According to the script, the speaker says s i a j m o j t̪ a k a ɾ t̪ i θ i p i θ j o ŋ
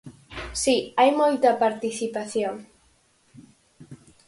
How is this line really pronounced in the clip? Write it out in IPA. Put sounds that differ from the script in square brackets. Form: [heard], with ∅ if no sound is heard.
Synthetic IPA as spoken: s i a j m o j t̪ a [p] a ɾ t̪ i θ i p [a] θ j o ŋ